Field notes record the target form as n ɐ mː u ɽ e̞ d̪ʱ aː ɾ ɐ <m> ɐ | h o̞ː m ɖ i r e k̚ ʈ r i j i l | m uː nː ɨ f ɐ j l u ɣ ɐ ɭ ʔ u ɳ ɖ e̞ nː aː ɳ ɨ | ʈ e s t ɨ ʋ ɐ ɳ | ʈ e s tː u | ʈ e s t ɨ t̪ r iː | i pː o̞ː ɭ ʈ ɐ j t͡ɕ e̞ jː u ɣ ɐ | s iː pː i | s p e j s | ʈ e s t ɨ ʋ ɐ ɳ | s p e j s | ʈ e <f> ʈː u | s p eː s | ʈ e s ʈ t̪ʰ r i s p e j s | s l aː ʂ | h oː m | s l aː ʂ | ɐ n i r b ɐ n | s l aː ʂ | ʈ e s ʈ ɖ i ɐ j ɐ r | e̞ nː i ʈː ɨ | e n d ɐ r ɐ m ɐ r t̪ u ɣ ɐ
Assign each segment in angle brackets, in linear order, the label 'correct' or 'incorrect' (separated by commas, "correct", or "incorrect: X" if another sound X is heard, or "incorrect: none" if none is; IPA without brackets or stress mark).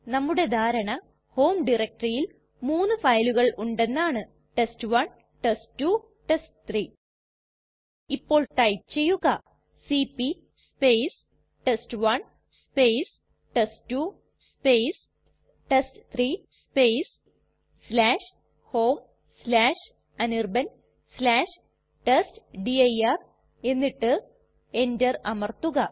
incorrect: ɳ, incorrect: s